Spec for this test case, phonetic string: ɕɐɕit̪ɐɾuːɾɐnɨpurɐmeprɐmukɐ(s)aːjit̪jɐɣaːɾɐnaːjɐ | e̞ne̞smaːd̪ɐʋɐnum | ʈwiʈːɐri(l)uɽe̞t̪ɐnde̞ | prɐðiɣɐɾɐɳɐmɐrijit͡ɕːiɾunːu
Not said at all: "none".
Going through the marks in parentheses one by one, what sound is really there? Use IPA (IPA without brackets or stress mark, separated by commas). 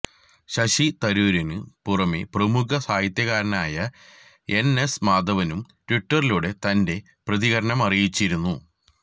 s, l